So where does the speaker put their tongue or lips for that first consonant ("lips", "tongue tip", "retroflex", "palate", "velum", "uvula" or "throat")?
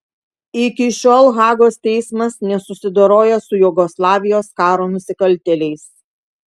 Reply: velum